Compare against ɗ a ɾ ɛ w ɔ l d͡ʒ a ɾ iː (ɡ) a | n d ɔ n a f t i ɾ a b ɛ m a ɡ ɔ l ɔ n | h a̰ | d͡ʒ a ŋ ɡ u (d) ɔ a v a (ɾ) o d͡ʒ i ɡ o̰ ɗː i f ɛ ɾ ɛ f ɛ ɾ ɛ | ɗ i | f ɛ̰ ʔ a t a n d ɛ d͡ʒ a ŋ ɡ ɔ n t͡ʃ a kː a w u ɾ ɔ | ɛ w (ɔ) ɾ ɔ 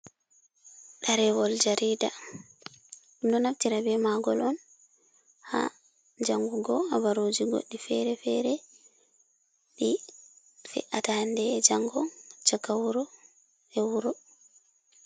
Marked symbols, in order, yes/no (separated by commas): no, no, yes, no